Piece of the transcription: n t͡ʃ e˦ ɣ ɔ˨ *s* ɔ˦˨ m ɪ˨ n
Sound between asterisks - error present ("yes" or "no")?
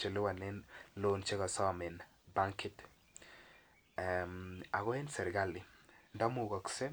no